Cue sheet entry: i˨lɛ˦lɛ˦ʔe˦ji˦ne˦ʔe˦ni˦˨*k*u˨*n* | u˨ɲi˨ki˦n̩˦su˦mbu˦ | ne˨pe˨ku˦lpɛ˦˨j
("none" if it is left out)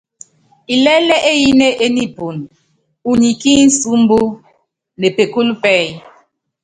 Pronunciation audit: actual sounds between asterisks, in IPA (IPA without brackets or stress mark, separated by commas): p, n